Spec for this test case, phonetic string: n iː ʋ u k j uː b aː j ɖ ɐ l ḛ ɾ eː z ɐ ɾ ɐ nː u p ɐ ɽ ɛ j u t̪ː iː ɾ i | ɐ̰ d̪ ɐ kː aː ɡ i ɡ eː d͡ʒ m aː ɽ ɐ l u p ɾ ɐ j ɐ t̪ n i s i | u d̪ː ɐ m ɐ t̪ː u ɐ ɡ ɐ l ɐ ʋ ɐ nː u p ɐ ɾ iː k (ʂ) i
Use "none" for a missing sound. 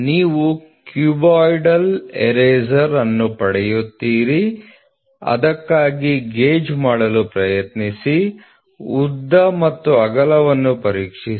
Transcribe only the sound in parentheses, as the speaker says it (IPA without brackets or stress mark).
ʂ